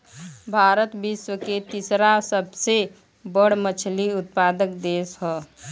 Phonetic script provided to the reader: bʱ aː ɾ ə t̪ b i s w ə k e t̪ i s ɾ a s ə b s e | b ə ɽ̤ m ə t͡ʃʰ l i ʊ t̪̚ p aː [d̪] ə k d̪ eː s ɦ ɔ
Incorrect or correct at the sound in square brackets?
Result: correct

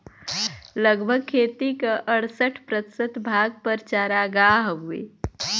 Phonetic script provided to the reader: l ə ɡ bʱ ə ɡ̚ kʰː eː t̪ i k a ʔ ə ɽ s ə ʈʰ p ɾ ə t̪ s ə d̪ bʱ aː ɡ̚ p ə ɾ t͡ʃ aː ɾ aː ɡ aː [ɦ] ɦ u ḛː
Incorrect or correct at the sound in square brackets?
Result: correct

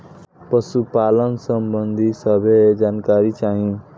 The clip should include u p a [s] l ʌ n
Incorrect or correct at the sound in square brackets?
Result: incorrect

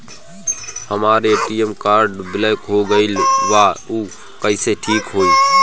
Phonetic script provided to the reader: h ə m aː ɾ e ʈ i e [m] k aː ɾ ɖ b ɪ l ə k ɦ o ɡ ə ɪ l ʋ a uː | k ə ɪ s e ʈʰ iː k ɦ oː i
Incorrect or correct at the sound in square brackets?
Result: correct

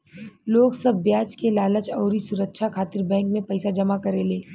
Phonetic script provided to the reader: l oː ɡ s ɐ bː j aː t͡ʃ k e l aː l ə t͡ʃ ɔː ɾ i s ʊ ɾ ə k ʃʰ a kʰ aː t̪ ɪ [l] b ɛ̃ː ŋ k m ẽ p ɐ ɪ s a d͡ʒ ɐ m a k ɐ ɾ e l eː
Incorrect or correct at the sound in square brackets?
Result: incorrect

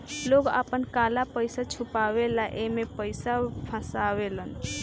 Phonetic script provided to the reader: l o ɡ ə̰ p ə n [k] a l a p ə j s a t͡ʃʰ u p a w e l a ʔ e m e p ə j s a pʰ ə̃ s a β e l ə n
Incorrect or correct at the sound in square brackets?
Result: correct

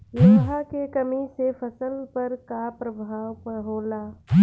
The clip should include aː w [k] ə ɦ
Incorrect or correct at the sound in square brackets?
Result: incorrect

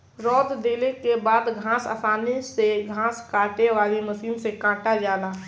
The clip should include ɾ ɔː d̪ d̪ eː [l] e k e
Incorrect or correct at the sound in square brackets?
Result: correct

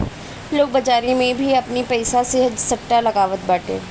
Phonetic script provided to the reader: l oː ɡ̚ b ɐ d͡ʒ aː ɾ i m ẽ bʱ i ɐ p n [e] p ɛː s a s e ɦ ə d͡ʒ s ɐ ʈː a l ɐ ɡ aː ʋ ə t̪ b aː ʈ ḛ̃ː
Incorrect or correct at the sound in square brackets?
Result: incorrect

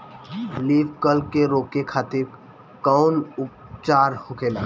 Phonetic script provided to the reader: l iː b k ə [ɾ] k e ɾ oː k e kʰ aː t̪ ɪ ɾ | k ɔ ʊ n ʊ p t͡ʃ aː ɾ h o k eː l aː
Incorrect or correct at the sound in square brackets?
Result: incorrect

